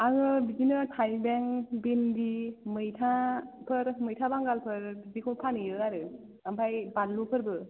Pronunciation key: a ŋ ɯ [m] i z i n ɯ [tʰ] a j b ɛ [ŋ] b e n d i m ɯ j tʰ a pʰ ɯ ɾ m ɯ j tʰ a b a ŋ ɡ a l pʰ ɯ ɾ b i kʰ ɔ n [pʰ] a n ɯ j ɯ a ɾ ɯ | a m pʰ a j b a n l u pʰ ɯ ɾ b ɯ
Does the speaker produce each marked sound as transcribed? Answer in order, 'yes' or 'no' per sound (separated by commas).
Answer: no, yes, yes, yes